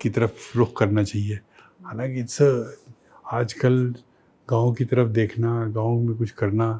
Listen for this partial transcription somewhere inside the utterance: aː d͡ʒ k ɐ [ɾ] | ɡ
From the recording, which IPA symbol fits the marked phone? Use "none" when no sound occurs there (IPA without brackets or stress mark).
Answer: l